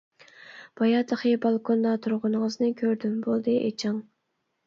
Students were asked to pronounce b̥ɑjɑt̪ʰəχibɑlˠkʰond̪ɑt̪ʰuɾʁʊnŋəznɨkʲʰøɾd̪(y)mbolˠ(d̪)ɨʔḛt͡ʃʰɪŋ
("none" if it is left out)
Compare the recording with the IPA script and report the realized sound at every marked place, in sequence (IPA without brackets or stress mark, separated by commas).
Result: y, d̪